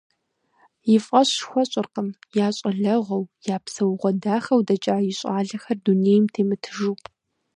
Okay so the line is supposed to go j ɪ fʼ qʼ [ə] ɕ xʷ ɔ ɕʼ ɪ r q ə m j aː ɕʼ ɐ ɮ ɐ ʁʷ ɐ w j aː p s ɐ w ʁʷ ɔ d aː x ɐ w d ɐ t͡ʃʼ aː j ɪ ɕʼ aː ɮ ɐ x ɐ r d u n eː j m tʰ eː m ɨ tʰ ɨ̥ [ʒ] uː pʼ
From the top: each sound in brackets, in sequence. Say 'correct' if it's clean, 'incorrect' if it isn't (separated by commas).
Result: incorrect, correct